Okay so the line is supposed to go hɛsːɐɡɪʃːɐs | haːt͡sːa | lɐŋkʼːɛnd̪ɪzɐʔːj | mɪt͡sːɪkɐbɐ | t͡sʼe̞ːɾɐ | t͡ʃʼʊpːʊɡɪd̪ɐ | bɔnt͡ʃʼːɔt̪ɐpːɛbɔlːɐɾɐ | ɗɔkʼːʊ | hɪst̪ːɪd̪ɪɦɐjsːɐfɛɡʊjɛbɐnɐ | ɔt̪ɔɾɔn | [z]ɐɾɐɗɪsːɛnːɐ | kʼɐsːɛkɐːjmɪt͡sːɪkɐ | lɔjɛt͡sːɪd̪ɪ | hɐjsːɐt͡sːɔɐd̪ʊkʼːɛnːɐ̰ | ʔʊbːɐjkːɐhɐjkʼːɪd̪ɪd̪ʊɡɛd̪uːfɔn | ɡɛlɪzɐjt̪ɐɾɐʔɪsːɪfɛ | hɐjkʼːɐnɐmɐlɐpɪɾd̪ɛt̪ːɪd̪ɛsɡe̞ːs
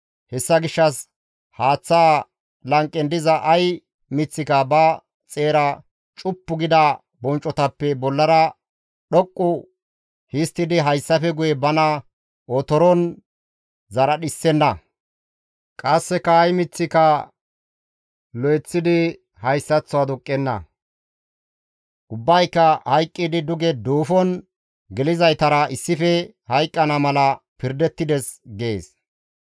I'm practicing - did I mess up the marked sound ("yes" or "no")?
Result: no